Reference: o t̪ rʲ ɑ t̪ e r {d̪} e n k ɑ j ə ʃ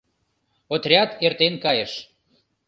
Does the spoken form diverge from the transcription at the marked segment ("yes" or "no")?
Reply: yes